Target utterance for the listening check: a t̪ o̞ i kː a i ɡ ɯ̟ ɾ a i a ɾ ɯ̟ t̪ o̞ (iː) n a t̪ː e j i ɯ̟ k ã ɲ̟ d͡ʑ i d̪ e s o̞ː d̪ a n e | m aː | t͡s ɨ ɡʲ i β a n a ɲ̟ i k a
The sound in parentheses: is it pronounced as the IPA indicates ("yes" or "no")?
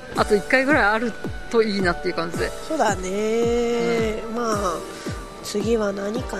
yes